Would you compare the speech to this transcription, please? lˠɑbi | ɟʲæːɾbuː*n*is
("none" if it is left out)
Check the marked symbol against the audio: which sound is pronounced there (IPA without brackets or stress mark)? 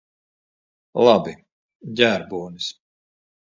n